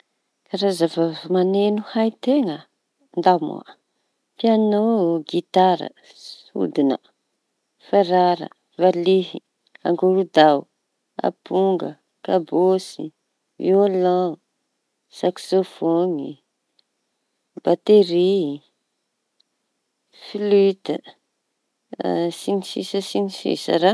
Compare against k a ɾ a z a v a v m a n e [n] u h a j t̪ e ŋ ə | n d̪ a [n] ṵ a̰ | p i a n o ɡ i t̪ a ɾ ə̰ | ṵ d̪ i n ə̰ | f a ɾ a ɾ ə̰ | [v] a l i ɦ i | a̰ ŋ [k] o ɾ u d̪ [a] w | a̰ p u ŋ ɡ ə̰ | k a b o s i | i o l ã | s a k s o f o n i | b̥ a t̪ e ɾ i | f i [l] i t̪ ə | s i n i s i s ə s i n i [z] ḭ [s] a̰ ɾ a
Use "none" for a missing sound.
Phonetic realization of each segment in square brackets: n, m, v, ɡ, a, l, s, s

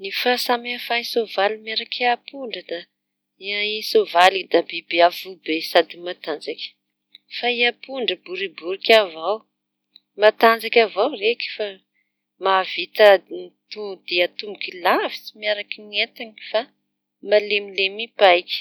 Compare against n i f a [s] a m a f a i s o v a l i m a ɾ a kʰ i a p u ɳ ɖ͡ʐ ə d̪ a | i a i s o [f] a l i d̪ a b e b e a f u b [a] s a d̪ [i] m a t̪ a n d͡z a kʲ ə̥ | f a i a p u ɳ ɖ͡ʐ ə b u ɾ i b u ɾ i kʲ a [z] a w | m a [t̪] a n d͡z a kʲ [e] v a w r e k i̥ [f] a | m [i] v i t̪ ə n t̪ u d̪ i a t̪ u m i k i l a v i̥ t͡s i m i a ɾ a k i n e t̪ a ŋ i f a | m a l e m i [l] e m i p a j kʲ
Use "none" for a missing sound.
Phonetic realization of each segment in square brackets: s, v, e, i, v, t̪, a, f, a, l

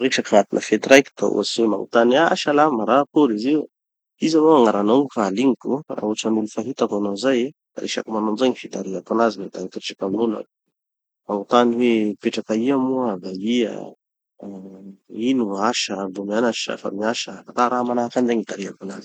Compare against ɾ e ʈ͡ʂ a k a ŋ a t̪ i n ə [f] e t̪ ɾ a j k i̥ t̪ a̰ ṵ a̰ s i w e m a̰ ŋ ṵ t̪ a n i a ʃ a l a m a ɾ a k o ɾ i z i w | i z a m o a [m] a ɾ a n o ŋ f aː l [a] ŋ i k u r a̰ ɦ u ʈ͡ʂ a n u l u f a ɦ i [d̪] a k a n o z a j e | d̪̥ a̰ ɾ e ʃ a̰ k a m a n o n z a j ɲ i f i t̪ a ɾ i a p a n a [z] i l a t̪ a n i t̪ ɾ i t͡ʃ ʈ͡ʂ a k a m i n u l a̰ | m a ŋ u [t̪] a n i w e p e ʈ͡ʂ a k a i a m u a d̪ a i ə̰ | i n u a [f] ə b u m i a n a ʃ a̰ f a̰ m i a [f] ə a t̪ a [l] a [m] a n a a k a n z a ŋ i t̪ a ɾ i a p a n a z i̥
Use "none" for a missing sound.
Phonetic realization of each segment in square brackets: f, ŋ, i, t̪, z, t̪, ʃ, ʃ, ɾ, m

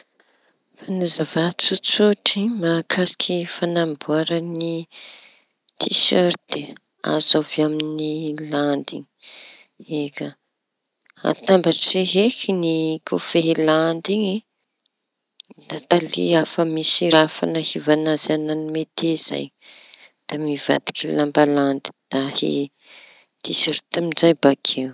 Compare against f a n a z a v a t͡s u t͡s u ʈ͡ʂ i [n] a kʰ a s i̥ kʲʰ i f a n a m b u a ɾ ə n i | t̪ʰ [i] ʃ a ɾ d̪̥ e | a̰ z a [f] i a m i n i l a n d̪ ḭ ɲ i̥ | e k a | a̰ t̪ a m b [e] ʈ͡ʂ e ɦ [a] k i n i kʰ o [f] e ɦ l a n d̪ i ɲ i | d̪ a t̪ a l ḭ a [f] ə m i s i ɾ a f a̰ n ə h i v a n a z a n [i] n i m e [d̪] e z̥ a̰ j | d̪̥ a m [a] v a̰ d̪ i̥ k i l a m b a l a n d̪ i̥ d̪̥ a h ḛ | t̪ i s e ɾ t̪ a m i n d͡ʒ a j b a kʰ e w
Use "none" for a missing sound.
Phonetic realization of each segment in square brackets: m, i, v, a, e, f, f, a, t̪, i

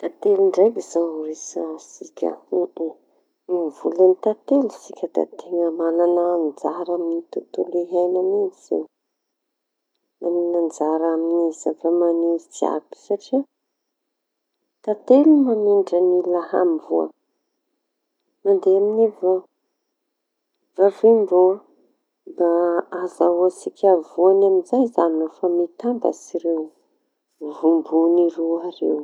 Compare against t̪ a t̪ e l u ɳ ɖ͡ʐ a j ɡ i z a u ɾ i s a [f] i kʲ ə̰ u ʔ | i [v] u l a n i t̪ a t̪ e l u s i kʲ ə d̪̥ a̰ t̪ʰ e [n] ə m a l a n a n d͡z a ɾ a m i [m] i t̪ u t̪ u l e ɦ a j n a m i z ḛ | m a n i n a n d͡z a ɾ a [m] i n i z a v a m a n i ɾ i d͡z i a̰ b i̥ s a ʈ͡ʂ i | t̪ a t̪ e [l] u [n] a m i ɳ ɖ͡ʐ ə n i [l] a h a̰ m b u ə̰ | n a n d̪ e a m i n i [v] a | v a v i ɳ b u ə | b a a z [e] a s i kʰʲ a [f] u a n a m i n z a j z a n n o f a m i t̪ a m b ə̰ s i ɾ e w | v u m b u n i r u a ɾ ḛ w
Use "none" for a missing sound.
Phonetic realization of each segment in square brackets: s, v, ŋ, n, m, l, m, l, v, a, v

